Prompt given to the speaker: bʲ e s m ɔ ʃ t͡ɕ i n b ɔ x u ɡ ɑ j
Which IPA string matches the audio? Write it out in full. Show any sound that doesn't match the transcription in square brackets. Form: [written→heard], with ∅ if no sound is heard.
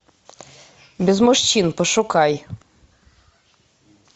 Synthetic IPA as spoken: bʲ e [s→z] m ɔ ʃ t͡ɕ i n [b→p] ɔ [x→ʃ] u [ɡ→k] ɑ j